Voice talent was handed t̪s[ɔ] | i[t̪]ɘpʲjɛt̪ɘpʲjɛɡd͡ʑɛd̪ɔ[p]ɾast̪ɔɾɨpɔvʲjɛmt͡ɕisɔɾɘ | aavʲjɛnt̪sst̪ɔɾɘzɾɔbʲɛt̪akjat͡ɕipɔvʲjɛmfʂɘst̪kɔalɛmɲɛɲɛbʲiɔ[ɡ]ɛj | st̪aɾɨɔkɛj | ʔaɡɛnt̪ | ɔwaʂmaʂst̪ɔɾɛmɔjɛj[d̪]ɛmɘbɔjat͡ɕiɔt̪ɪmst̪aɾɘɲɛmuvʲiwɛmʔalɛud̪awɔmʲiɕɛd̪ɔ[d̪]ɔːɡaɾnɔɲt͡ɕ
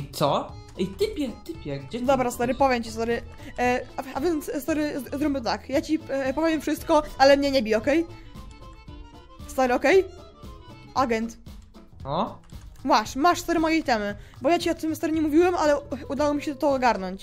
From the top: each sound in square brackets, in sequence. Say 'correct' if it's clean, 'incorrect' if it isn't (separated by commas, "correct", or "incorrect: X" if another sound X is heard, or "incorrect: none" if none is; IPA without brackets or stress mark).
correct, correct, incorrect: b, incorrect: k, incorrect: t̪, incorrect: t̪